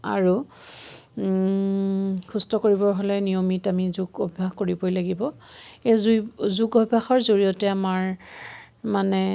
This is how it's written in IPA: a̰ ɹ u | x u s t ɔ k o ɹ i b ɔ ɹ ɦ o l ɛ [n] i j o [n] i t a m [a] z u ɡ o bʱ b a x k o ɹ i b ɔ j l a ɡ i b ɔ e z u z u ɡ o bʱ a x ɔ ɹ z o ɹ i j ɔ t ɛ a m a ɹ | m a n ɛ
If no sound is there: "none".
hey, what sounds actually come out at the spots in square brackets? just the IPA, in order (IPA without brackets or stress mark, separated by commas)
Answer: n, m, i